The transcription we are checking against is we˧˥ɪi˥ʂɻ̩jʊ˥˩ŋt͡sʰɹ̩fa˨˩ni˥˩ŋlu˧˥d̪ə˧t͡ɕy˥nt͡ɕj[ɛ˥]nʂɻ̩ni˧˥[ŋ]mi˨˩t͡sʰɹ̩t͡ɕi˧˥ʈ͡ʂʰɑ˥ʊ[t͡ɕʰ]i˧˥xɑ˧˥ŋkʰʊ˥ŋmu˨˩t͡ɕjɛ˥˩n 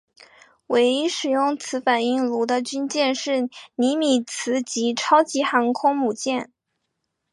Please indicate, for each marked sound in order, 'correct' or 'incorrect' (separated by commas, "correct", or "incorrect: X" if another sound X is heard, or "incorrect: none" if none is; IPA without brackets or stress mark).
incorrect: ɛ˥˧, incorrect: none, incorrect: t͡ɕ